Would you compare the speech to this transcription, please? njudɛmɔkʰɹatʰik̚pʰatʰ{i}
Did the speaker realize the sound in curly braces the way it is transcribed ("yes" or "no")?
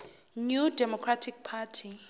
yes